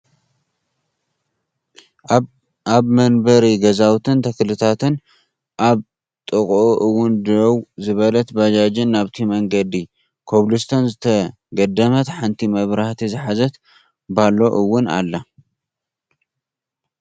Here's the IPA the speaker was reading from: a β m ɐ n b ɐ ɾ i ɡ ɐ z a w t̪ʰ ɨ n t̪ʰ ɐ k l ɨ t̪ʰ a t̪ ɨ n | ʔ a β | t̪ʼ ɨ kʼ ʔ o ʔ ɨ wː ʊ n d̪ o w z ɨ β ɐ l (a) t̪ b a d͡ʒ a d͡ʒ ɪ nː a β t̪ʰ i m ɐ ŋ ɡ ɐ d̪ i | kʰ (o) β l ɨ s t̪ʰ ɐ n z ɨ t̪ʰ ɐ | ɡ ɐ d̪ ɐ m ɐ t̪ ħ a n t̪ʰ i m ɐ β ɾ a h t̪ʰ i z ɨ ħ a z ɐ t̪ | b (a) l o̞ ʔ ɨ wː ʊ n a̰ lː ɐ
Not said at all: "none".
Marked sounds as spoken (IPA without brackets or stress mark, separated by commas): ɐ, o, a